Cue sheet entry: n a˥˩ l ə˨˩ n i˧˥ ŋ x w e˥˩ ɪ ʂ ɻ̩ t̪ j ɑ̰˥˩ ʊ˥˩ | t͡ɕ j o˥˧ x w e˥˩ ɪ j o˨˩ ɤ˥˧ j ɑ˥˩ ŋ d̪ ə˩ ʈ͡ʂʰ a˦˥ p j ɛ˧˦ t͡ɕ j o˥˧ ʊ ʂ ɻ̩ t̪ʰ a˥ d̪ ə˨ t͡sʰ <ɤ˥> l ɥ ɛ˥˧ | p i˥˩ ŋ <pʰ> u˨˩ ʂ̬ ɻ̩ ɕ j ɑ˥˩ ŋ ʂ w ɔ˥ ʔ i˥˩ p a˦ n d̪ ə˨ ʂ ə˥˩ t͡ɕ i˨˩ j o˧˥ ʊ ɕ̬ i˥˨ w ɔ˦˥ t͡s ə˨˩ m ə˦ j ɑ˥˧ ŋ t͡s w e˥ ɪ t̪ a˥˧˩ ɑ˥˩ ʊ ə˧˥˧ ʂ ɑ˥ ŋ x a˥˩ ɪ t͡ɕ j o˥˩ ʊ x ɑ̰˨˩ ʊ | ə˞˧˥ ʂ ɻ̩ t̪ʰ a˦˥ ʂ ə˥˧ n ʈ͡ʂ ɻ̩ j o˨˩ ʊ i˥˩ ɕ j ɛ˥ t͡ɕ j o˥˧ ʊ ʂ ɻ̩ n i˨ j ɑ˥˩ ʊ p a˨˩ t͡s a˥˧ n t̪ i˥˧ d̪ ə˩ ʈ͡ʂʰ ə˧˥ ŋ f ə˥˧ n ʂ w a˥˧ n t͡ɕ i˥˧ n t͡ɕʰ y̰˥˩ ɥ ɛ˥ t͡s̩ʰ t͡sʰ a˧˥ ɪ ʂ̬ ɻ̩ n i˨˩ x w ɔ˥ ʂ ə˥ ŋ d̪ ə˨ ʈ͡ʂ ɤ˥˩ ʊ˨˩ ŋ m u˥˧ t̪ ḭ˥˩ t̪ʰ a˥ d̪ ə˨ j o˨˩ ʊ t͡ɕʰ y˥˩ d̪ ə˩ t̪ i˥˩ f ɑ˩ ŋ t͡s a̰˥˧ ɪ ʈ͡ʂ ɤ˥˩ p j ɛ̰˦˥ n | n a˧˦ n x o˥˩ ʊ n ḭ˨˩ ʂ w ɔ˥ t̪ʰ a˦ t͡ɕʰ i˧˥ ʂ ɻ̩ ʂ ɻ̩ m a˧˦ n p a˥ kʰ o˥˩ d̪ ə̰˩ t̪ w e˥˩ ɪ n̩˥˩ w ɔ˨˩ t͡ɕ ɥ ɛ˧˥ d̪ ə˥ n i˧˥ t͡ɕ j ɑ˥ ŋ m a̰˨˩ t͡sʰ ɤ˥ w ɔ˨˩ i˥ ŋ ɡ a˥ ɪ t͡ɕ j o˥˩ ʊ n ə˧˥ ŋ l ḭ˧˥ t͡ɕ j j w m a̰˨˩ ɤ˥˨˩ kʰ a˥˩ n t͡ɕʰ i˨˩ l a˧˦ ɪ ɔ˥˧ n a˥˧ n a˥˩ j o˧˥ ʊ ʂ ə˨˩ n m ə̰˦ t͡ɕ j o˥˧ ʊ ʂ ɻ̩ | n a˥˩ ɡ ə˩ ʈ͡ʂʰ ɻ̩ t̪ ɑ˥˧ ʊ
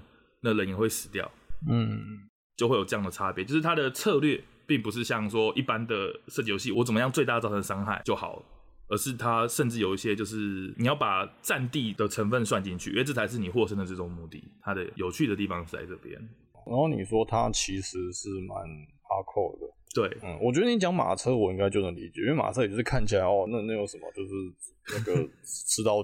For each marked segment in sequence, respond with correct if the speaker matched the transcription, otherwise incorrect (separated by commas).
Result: incorrect, incorrect